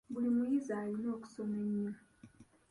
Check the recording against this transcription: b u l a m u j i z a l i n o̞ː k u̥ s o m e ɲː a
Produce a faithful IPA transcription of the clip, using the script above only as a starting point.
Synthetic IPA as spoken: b u l i m u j i z a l i n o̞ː k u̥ s o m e ɲː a